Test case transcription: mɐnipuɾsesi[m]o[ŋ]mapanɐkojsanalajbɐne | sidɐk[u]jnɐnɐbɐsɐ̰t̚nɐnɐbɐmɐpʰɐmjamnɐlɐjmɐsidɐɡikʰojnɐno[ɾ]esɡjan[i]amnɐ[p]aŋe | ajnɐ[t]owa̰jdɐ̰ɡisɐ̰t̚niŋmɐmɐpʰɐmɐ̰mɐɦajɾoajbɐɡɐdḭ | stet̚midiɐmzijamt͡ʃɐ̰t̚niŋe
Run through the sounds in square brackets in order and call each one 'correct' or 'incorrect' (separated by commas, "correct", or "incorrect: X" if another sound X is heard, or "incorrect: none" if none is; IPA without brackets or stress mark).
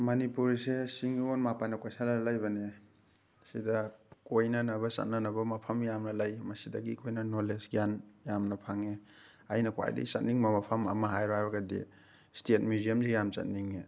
incorrect: ŋ, incorrect: n, incorrect: o, incorrect: l, incorrect: j, incorrect: pʰ, incorrect: k